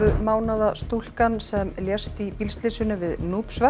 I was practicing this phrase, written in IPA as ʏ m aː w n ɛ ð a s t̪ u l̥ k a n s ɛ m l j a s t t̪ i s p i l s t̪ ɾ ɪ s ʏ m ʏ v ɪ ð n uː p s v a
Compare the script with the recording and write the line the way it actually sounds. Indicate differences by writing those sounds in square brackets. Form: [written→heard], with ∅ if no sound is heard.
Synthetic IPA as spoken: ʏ m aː w n [ɛ→a] ð a s t̪ u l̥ k a n s ɛ m l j [a→ɛ] s t t̪ i [s→∅] p i l s t̪ [ɾ→l] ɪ s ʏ [m→n] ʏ v ɪ ð n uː p s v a